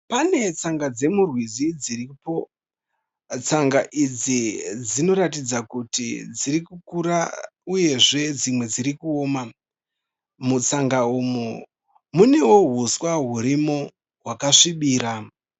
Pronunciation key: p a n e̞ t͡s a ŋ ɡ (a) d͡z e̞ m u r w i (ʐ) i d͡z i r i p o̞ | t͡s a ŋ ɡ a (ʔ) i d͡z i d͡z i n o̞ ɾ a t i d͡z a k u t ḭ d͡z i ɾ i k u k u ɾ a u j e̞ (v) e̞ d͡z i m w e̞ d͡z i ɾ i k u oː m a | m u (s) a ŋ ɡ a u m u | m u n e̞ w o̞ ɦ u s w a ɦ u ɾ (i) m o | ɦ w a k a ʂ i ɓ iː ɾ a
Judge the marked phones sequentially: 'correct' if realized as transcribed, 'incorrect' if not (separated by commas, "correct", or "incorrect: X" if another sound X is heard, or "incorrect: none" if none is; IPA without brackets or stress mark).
correct, incorrect: z, correct, incorrect: ʐ, incorrect: t͡s, correct